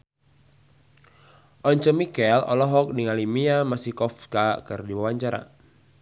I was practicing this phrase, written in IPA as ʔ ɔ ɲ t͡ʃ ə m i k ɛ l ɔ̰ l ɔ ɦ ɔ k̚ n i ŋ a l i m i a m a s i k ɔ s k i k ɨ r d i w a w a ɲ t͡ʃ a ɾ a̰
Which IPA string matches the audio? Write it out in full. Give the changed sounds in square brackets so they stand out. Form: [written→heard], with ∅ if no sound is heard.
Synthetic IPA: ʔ ɔ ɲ t͡ʃ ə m i k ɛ l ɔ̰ l ɔ ɦ ɔ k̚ n i ŋ a l i m i a m a s i k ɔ [s→f] k [i→a] k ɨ r d i w a w a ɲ t͡ʃ a ɾ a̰

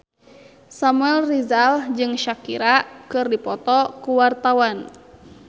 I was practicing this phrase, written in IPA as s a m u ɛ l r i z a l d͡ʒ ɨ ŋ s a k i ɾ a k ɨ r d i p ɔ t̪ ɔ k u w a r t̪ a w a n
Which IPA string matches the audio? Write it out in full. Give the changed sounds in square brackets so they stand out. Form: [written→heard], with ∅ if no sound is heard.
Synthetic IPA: s a m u ɛ l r i z a l d͡ʒ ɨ ŋ [s→ʃ] a k i ɾ a k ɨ r d i p ɔ t̪ ɔ k u w a r t̪ a w a n

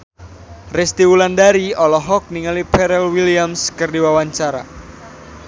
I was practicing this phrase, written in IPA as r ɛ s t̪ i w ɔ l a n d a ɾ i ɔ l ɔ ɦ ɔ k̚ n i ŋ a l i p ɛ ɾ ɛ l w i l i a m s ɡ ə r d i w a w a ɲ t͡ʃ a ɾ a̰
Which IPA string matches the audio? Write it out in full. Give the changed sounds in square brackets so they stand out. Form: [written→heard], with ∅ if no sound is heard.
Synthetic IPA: r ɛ s t̪ i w [ɔ→u] l a n d a ɾ i ɔ l ɔ ɦ ɔ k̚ n i ŋ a l i p ɛ ɾ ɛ l w i l i a m s [ɡ→k] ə r d i w a w a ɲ t͡ʃ a ɾ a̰

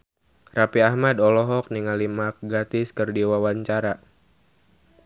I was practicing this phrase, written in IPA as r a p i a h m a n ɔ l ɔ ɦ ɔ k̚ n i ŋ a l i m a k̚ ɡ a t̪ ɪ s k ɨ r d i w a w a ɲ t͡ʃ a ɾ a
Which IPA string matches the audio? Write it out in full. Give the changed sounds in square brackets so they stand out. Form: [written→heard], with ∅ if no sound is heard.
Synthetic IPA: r a p i a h m a [n→d] ɔ l ɔ ɦ ɔ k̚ n i ŋ a l i m a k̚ ɡ a t̪ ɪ s k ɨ r d i w a w a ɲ t͡ʃ a ɾ a

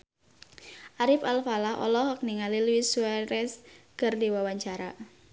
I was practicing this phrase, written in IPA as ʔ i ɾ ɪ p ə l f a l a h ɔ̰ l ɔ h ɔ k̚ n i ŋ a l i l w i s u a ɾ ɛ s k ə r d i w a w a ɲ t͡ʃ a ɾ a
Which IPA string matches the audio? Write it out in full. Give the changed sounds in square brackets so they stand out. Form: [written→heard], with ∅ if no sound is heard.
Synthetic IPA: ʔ [i→a] ɾ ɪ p [ə→a] l f a l a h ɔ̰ l ɔ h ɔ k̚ n i ŋ a l i l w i s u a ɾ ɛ s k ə r d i w a w a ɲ t͡ʃ a ɾ a

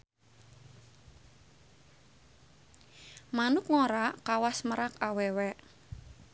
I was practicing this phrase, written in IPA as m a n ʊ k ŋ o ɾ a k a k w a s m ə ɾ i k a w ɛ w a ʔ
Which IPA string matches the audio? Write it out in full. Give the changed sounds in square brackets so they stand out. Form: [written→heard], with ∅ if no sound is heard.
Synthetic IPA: m a n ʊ k ŋ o ɾ a k a [k→∅] w a s m ə ɾ [i→a] k a w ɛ w [a→ɛ] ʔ

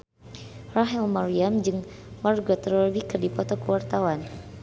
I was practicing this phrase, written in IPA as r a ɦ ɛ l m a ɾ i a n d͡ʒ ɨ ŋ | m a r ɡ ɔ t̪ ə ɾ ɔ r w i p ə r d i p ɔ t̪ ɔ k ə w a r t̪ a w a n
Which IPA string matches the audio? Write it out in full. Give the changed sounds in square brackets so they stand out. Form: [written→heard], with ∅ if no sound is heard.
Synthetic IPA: r a ɦ ɛ l m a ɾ i a [n→m] d͡ʒ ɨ ŋ | m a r ɡ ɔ t̪ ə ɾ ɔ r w i [p→k] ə r d i p ɔ t̪ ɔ k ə w a r t̪ a w a n

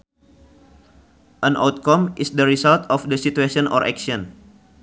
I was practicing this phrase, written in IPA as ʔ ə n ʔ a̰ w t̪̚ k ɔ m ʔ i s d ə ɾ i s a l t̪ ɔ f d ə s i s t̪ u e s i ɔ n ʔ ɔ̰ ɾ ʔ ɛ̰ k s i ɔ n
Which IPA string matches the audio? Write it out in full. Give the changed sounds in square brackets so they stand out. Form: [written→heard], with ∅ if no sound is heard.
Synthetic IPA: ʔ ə n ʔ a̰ w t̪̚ k ɔ m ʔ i s d ə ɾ i s a l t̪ ɔ f d ə s i [s→∅] t̪ u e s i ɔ n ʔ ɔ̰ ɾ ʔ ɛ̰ k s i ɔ n

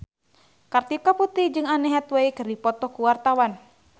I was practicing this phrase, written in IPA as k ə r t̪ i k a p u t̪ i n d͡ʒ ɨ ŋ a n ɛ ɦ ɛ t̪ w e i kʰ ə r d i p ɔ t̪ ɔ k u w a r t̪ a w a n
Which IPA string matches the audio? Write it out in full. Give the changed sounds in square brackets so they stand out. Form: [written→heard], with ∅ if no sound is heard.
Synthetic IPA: k [ə→a] r t̪ i k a p u t̪ i [n→∅] d͡ʒ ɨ ŋ a n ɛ ɦ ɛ t̪ w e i [kʰ→k] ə r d i p ɔ t̪ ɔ k u w a r t̪ a w a n

